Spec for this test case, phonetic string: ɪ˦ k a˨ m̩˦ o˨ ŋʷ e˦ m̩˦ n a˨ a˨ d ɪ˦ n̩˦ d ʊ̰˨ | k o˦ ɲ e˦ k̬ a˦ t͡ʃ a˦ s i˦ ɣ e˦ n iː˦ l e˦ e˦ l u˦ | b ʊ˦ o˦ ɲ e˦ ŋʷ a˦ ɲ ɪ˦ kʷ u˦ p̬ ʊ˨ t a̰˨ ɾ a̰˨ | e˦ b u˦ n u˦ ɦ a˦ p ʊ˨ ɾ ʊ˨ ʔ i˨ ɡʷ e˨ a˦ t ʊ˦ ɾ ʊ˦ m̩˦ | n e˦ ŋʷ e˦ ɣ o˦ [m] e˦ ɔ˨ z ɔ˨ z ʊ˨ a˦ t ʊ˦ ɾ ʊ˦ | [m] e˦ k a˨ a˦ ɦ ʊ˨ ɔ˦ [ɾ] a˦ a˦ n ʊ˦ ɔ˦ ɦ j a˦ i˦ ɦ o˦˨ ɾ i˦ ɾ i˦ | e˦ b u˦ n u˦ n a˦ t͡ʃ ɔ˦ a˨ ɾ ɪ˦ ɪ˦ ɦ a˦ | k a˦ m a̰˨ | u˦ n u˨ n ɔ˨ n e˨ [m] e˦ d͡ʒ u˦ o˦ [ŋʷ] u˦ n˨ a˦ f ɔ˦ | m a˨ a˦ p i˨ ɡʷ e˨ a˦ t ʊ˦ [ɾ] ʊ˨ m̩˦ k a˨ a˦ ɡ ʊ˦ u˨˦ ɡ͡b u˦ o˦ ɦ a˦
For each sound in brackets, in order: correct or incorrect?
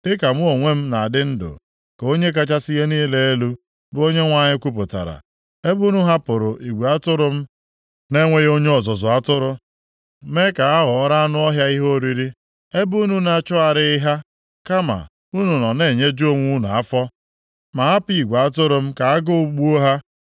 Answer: incorrect: ɲ, correct, correct, incorrect: ɲ, correct, correct

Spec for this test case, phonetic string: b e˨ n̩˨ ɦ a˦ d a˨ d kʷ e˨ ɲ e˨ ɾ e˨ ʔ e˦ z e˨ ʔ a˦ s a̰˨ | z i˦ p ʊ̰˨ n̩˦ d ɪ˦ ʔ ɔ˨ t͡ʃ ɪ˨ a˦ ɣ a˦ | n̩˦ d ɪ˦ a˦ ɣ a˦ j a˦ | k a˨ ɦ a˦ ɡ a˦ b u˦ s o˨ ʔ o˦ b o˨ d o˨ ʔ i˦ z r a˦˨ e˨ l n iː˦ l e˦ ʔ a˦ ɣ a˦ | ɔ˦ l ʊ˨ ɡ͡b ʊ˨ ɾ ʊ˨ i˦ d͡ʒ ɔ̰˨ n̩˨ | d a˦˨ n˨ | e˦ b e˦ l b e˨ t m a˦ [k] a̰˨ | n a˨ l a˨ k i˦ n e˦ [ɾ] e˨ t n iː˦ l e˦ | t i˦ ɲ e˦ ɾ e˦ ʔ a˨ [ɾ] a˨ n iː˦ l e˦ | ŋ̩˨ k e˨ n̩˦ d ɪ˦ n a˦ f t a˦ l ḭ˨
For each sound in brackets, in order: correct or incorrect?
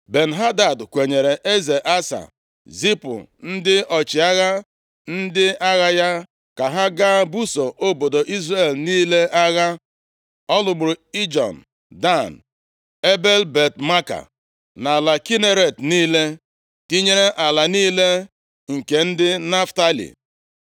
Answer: correct, correct, incorrect: l

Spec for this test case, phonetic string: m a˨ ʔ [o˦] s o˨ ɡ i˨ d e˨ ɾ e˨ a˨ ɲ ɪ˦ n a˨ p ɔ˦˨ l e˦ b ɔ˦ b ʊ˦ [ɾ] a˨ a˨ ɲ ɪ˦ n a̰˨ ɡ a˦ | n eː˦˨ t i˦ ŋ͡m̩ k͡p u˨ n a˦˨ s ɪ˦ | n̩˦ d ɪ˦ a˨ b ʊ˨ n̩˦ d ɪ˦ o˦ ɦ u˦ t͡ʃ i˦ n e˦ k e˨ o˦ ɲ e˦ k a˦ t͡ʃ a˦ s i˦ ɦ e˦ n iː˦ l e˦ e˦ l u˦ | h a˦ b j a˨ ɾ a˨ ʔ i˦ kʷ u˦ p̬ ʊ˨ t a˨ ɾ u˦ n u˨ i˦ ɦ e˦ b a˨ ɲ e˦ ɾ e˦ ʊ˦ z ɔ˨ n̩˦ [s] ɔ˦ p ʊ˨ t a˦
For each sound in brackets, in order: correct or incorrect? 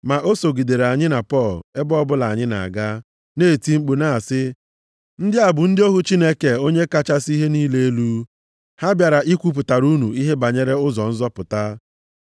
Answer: correct, incorrect: l, incorrect: z

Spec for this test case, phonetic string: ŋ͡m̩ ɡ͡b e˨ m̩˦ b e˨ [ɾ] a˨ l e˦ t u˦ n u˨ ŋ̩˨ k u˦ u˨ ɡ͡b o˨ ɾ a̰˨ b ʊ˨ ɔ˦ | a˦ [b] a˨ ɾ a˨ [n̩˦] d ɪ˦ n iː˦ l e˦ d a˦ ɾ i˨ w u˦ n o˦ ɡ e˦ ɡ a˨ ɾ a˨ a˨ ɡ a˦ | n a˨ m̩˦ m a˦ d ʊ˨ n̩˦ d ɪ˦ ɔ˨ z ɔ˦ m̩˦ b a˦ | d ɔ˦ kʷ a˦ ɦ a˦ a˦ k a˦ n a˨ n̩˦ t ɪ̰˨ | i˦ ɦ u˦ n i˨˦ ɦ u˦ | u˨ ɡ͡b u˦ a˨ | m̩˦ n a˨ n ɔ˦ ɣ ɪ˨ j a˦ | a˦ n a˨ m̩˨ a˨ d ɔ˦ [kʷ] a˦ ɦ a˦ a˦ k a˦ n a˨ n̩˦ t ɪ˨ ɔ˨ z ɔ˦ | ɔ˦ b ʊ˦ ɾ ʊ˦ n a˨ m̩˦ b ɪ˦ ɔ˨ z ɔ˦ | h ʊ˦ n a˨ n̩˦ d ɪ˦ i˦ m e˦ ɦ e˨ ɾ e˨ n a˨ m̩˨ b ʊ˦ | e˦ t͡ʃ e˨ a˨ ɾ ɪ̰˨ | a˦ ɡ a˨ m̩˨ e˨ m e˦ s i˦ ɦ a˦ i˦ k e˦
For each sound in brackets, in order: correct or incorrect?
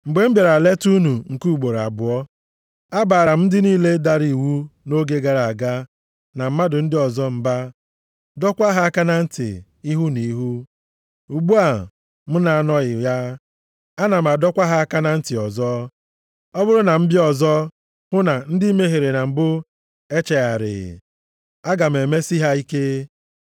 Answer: correct, correct, incorrect: m̩˦, correct

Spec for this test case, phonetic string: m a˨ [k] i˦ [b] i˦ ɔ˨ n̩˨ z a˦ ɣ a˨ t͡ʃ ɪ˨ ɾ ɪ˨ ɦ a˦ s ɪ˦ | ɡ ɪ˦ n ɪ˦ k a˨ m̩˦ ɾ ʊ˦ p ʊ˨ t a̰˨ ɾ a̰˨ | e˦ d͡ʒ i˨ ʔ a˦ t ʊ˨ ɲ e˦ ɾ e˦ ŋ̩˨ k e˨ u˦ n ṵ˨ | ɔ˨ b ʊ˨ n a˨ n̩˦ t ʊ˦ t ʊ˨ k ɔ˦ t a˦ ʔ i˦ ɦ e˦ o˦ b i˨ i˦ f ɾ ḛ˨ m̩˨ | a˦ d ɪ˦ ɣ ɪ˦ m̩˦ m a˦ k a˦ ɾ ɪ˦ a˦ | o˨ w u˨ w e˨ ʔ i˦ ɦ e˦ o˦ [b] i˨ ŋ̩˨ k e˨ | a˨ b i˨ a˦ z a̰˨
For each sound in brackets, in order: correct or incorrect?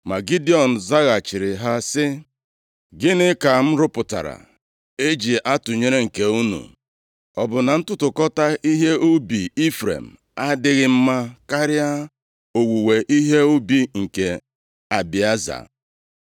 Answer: incorrect: ɡ, incorrect: d, correct

